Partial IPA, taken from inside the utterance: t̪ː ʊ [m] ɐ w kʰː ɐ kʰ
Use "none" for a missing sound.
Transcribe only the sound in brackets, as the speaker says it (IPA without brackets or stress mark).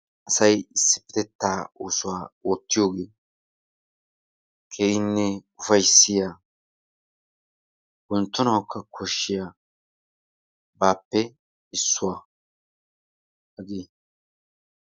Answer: n